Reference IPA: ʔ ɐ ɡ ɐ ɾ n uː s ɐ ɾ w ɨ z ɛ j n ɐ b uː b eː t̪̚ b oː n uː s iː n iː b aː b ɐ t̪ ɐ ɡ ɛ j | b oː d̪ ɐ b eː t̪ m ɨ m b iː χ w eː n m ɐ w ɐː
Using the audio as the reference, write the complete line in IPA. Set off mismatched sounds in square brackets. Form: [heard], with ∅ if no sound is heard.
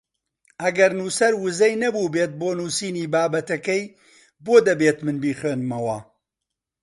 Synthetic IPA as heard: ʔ ɐ ɡ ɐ ɾ n uː s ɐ ɾ w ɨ z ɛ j n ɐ b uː b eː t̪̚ b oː n uː s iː n iː b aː b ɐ t̪ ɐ [k] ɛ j | b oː d̪ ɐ b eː t̪ m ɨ [n] b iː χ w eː n m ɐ w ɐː